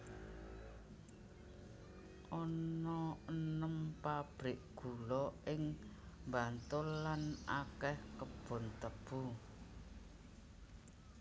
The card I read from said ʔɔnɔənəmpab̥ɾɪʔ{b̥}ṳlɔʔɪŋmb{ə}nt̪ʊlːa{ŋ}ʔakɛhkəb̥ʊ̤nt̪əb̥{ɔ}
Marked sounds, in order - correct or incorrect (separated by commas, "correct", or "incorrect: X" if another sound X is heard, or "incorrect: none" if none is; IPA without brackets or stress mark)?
incorrect: ɡ̥, incorrect: a, incorrect: n, incorrect: u